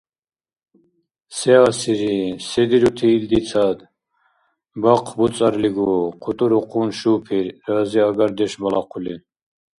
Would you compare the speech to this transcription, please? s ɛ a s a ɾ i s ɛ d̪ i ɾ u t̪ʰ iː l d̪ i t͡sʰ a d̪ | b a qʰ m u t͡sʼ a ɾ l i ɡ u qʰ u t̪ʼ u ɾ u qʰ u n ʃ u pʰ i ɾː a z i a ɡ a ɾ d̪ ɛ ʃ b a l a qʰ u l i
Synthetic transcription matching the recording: s ɛ a s i ɾ i s ɛ d̪ i ɾ u t̪ʰ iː l d̪ i t͡sʰ a d̪ | b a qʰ b u t͡sʼ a ɾ l i ɡ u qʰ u t̪ʼ u ɾ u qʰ u n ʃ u pʰ i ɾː a z i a ɡ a ɾ d̪ ɛ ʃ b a l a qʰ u l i